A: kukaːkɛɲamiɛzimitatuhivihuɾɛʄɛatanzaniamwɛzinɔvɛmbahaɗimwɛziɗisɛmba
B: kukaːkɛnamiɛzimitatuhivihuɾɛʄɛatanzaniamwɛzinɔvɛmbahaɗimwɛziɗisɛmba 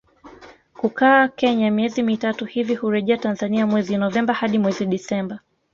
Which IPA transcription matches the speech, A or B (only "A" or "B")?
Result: A